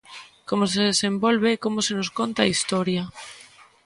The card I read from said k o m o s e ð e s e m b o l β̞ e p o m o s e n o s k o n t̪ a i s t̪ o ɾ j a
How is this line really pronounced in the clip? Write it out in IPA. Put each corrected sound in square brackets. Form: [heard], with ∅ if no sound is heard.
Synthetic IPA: k o m o s e ð e s e m b o l β̞ e [k] o m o s e n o s k o n t̪ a i s t̪ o ɾ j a

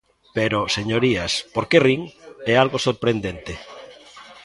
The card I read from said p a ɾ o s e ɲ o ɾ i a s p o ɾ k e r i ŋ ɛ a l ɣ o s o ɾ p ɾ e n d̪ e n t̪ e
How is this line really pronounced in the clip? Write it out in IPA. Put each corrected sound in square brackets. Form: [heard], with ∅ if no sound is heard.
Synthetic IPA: p [e] ɾ o s e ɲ o ɾ i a s p o ɾ k e r i ŋ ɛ a l ɣ o s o ɾ p ɾ e n d̪ e n t̪ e

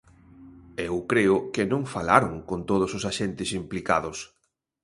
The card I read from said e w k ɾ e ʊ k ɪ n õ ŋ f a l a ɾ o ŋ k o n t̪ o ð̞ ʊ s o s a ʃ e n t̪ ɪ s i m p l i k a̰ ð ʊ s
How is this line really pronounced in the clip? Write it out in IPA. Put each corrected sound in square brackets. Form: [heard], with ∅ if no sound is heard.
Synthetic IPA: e w k ɾ e ʊ k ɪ n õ ŋ f a l a ɾ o ŋ k o n t̪ o ð̞ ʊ s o s a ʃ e n t̪ ɪ s i m p l i k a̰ ð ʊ s

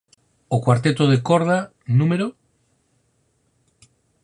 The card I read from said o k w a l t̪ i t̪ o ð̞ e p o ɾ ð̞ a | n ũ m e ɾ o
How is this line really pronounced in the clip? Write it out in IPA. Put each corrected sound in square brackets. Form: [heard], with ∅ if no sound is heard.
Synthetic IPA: o k w a [ɾ] t̪ [e] t̪ o ð̞ e [k] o ɾ ð̞ a | n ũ m e ɾ o

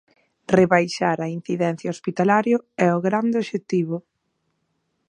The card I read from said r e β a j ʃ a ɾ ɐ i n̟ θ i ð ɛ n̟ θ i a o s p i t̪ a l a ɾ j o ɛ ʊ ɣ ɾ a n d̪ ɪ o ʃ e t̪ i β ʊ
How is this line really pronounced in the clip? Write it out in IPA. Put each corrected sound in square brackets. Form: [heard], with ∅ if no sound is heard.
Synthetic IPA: r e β a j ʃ a ɾ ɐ i n̟ θ i ð ɛ n̟ θ [j] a o s p i t̪ a l a ɾ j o ɛ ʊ ɣ ɾ a n d̪ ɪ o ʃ e t̪ i β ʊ

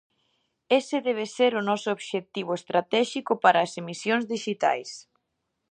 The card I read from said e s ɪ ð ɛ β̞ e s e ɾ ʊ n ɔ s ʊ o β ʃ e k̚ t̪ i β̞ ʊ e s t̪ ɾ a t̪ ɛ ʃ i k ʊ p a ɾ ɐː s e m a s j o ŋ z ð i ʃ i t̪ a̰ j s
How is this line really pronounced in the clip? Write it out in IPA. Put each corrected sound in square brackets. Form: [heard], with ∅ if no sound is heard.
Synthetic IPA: e s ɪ ð ɛ β̞ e s e ɾ ʊ n ɔ s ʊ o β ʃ e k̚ t̪ i β̞ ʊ e s t̪ ɾ a t̪ ɛ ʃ i k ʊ p a ɾ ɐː s e m [i] s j o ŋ z ð i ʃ i t̪ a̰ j s

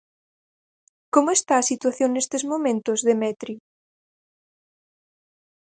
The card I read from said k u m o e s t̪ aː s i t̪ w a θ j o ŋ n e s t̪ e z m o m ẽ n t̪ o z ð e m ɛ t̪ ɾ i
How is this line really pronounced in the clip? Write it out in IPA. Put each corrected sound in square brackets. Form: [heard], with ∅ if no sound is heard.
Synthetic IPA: k [o] m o e s t̪ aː s i t̪ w a θ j o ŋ n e s t̪ e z m o m ẽ n t̪ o z ð e m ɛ t̪ ɾ i

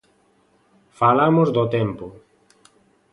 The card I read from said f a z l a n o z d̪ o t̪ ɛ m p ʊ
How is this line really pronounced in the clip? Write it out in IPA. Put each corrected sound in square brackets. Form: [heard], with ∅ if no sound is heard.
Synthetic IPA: f a [∅] l a [m] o z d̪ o t̪ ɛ m p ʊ

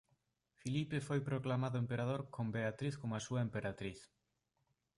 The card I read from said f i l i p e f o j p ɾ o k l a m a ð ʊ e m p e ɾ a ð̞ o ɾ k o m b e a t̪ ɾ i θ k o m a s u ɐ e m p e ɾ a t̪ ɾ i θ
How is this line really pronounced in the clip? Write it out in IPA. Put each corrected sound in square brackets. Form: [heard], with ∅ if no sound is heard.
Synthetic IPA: f i l i p e f o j p ɾ o k l a m a ð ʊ e m p e ɾ a ð̞ o ɾ k o m b e a t̪ ɾ i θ k o m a s u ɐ e m p e ɾ a t̪ ɾ i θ

